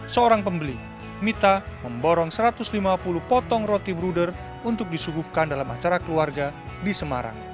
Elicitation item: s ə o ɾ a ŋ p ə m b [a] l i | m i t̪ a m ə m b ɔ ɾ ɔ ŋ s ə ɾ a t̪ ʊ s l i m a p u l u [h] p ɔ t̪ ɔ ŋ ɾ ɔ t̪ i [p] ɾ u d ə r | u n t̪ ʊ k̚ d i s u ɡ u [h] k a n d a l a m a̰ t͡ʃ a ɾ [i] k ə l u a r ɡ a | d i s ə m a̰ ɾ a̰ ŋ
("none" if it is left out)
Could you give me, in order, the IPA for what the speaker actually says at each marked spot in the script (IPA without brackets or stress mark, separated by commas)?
ə, h, b, h, a